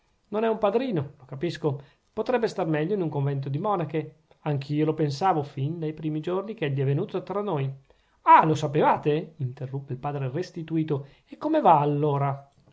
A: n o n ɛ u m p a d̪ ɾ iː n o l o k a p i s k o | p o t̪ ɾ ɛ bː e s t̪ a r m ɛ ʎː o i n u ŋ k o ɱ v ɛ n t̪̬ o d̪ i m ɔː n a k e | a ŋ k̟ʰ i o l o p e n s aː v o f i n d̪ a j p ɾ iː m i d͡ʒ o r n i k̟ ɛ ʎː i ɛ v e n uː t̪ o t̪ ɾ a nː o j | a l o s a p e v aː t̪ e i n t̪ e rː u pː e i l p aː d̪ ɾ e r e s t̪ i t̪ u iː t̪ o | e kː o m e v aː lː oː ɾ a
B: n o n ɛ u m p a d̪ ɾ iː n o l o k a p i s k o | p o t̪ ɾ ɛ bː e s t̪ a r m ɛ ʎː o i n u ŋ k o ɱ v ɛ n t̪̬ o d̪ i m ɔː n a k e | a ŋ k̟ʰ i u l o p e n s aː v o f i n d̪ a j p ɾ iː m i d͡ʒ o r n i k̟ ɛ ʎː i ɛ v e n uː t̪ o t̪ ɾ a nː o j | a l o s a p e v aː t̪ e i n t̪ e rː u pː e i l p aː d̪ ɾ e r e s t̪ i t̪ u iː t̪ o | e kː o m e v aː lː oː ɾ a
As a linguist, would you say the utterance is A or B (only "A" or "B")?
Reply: A